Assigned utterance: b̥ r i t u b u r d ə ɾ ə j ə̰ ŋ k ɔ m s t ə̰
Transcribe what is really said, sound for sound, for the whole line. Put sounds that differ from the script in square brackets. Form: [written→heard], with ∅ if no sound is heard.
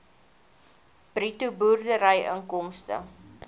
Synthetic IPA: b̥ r i t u b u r d ə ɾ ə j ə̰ ŋ k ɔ m s t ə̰